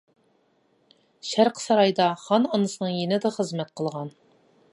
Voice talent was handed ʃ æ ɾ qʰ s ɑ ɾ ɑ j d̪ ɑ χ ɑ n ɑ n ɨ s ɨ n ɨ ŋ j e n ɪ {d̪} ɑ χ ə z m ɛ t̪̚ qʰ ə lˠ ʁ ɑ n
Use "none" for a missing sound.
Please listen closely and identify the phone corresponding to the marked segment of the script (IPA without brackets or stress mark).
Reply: d̪